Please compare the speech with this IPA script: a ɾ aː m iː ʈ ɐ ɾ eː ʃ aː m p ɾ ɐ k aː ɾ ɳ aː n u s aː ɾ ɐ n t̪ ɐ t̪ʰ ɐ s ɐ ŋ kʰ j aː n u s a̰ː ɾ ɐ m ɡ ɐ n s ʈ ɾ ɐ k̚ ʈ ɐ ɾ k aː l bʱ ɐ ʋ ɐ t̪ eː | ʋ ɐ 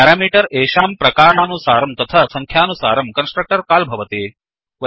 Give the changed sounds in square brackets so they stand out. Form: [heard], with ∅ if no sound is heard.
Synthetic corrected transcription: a ɾ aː m iː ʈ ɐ ɾ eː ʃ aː m p ɾ ɐ k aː ɾ ɳ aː n u s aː ɾ ɐ [m] t̪ ɐ t̪ʰ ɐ s ɐ ŋ kʰ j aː n u s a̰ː ɾ ɐ m [k] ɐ n s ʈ ɾ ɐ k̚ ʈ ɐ ɾ k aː l bʱ ɐ ʋ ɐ t̪ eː | ʋ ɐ

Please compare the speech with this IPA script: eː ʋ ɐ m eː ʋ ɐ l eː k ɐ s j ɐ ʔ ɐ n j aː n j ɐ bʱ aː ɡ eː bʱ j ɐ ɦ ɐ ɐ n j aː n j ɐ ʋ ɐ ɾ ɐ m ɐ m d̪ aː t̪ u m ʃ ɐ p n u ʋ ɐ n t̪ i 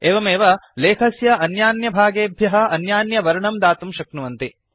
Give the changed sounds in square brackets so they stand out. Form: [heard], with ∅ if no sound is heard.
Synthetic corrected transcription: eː ʋ ɐ m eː ʋ ɐ l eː [kʰ] ɐ s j ɐ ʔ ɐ n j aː n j ɐ bʱ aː ɡ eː bʱ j ɐ ɦ ɐ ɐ n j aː n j ɐ ʋ ɐ ɾ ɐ [ɳ] ɐ m d̪ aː t̪ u m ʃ ɐ [k] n u ʋ ɐ n t̪ i

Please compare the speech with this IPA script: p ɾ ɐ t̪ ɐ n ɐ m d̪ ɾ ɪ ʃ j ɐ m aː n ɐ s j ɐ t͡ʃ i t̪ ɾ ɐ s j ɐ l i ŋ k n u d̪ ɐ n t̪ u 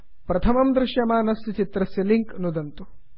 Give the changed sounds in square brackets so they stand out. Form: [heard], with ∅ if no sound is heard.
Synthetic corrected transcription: p ɾ ɐ [t̪ʰ] ɐ [m] ɐ m d̪ ɾ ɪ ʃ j ɐ m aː n ɐ s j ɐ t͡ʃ i t̪ ɾ ɐ s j ɐ l i ŋ k n u d̪ ɐ n t̪ u

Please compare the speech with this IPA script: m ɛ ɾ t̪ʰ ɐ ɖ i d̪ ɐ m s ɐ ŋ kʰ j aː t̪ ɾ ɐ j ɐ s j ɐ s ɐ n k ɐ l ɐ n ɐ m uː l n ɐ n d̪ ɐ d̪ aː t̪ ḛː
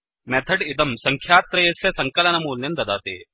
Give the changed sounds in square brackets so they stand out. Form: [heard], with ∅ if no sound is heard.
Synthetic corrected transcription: m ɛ [∅] t̪ʰ ɐ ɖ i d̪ ɐ m s ɐ ŋ kʰ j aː t̪ ɾ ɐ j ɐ s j ɐ s ɐ [ŋ] k ɐ l ɐ n ɐ m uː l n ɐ n d̪ ɐ d̪ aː t̪ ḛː

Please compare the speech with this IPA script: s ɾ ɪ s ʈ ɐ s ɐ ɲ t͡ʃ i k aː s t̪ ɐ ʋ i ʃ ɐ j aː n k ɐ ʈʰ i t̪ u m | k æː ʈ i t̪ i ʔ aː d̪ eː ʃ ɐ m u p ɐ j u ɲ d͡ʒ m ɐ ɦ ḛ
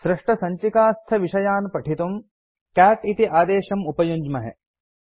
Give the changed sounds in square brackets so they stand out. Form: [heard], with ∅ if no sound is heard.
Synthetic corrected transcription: s ɾ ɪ [ʂ] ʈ ɐ s ɐ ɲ t͡ʃ i k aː s [t̪ʰ] ɐ ʋ i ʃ ɐ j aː n [p] ɐ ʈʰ i t̪ u m | k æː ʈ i t̪ i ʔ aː d̪ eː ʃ ɐ m u p ɐ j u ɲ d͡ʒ m ɐ ɦ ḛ

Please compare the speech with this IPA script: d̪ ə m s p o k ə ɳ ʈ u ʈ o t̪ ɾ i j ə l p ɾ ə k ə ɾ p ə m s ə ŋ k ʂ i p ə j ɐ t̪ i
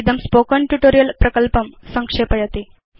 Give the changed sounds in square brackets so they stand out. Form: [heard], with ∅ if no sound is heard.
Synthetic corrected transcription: d̪ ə m s p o k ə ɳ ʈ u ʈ o [∅] ɾ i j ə l p ɾ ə k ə [l] p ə m s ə ŋ k ʂ [e] p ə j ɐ t̪ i

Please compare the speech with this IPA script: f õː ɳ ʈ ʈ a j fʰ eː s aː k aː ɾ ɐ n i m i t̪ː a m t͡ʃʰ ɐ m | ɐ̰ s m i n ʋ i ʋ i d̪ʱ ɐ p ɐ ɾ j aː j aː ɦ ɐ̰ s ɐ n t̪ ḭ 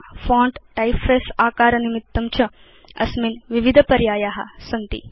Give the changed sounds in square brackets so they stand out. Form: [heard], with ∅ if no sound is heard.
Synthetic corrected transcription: f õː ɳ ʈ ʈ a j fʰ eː s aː k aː ɾ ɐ n i m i t̪ː [ɐ] m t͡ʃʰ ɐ [∅] | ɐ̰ s m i n ʋ i ʋ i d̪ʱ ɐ p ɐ ɾ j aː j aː ɦ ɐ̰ s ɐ n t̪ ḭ

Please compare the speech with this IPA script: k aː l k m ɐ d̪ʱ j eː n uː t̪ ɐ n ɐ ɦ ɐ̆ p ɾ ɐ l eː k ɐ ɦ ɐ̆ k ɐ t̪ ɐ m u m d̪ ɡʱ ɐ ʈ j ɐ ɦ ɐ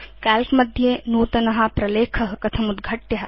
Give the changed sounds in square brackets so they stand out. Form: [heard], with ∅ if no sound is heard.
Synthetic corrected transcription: k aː l k m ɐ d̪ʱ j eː n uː t̪ ɐ n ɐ ɦ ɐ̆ p ɾ ɐ l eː [kʰ] ɐ ɦ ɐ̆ k ɐ [t̪ʰ] ɐ m u [∅] d̪ ɡʱ ɐ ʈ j ɐ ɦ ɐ

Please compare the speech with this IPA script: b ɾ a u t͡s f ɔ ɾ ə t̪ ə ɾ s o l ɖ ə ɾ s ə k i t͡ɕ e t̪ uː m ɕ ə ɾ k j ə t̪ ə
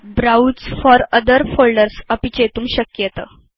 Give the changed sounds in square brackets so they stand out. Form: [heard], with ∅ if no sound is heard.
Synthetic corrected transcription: b ɾ a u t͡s f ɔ ɾ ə [d̪] ə ɾ [f] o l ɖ ə ɾ s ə [p] i t͡ɕ e t̪ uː m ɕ ə [∅] k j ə t̪ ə

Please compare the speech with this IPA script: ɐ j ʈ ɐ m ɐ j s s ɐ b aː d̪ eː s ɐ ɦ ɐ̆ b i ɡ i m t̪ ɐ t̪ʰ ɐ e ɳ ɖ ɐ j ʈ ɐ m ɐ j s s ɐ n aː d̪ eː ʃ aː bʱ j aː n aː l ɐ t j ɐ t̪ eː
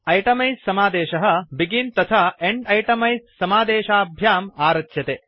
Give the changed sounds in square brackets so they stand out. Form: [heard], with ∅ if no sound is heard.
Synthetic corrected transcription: ɐ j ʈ ɐ m ɐ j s s ɐ [m] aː d̪ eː [ʃ] ɐ ɦ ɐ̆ b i ɡ i [n] t̪ ɐ t̪ʰ [a] e ɳ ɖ ɐ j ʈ ɐ m ɐ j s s ɐ [m] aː d̪ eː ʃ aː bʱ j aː [m] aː [ɾ] ɐ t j ɐ t̪ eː

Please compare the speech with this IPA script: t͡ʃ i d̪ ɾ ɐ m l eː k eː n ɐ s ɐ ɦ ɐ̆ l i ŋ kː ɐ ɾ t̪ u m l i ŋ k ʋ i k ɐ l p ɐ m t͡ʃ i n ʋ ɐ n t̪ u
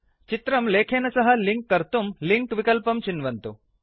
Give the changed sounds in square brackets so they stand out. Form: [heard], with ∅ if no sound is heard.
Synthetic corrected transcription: t͡ʃ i [t̪] ɾ ɐ m l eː [kʰ] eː n ɐ s ɐ ɦ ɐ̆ l i ŋ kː ɐ ɾ t̪ u m l i ŋ k ʋ i k ɐ l p ɐ m t͡ʃ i n ʋ ɐ n t̪ u

